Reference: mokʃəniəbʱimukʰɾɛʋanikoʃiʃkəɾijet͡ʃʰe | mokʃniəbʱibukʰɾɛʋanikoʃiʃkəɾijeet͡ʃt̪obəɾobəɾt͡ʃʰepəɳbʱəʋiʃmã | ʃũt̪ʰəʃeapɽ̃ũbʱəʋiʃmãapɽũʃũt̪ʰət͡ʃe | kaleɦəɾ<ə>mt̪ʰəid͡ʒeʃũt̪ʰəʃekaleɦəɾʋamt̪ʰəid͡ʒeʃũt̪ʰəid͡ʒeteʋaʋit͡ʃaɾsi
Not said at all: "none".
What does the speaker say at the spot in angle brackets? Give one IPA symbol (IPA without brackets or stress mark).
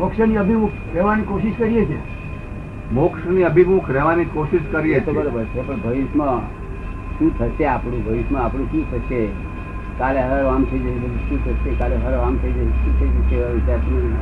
a